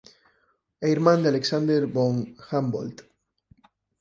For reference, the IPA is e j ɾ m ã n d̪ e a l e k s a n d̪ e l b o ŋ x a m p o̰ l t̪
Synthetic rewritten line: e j ɾ m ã n d̪ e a l e k s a n d̪ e ɾ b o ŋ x a m b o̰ l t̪